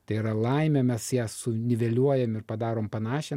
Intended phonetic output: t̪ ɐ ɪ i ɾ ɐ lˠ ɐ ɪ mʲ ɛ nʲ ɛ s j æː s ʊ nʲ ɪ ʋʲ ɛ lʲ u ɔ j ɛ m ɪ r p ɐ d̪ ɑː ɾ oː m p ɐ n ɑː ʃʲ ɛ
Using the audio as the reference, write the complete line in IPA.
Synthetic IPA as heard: t̪ ɐ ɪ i ɾ ɐ lˠ ɐ ɪ mʲ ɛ mʲ ɛ s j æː s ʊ nʲ ɪ ʋʲ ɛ lʲ u ɔ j ɛ m ɪ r p ɐ d̪ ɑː ɾ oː m p ɐ n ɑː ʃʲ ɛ